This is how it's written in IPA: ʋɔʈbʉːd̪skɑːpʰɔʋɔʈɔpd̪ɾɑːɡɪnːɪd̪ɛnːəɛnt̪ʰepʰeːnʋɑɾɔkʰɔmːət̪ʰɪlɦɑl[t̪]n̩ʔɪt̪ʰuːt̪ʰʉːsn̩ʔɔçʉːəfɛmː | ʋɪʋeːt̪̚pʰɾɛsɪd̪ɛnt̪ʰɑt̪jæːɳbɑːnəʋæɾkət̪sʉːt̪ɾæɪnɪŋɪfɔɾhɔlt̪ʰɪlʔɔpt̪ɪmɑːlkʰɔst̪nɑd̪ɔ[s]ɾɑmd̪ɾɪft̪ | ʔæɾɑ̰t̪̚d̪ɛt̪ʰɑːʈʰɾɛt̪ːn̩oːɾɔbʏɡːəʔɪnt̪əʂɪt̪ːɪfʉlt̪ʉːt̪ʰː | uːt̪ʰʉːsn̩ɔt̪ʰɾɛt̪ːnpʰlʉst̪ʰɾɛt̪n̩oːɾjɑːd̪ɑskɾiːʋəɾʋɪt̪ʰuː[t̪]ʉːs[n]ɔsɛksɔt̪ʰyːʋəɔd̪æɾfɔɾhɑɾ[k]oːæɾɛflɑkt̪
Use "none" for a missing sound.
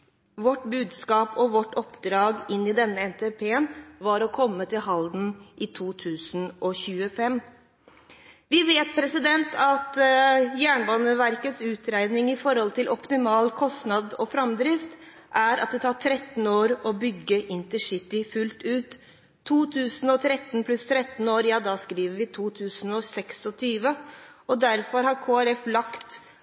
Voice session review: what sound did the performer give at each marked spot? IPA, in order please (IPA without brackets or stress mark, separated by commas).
d̪, f, t̪ʰ, n, kʰ